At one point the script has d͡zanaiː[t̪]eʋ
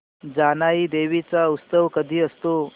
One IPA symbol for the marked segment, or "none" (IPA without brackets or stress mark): d̪